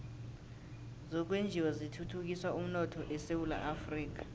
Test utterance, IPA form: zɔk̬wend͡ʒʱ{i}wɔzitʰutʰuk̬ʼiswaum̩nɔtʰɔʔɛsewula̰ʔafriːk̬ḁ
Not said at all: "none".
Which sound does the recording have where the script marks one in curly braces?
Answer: i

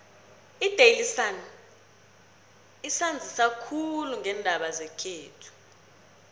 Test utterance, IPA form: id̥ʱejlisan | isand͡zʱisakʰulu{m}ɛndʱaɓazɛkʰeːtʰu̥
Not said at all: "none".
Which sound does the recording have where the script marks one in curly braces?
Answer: ŋ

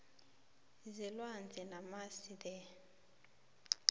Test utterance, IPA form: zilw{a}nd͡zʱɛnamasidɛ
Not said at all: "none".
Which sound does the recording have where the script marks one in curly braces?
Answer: a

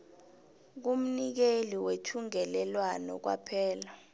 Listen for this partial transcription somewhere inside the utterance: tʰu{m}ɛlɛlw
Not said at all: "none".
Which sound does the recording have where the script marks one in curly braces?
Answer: ŋ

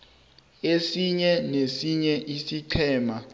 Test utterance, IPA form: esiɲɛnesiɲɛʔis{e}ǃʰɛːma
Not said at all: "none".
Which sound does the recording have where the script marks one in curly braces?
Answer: i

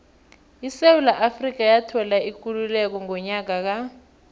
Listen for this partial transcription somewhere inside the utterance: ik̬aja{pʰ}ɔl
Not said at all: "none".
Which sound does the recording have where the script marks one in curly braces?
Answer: tʰ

